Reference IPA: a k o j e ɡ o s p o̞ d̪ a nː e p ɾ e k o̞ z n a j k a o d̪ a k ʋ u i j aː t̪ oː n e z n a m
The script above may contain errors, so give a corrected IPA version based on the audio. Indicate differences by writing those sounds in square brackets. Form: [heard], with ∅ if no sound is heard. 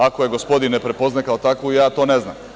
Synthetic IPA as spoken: a k o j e ɡ o s p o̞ d̪ [i] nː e p ɾ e [p] o̞ z n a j k a o [t̪] a k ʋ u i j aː t̪ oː n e z n a m